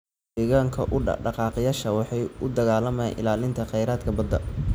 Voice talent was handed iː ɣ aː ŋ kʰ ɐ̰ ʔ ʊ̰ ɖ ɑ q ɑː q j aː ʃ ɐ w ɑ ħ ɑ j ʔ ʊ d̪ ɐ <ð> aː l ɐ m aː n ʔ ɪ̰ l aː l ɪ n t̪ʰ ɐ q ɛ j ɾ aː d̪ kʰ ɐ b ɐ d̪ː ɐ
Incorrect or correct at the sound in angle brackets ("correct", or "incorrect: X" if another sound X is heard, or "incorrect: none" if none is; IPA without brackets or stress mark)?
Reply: incorrect: ɣ